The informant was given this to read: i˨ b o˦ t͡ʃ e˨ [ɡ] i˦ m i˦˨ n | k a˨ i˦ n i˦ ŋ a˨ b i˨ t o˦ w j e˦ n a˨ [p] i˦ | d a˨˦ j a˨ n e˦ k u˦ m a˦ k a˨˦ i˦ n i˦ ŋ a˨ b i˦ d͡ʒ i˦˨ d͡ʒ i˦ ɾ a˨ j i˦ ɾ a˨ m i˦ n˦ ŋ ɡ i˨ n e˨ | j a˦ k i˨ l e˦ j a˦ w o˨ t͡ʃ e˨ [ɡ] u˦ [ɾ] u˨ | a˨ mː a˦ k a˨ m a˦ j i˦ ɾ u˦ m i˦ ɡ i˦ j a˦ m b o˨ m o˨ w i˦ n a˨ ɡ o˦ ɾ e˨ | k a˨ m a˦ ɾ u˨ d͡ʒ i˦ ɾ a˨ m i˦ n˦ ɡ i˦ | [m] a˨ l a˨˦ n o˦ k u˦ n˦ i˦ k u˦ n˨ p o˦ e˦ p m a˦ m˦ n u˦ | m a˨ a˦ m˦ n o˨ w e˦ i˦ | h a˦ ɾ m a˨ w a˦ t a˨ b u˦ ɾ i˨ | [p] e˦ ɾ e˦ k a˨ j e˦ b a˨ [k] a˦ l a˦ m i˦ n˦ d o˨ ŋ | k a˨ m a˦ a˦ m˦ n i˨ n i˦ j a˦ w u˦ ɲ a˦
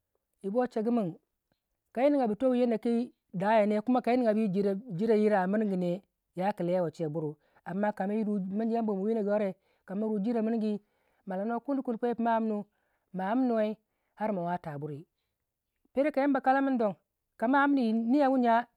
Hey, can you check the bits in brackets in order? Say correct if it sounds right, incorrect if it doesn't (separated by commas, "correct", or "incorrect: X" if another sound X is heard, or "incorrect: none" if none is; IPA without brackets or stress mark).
correct, incorrect: k, incorrect: b, correct, correct, correct, correct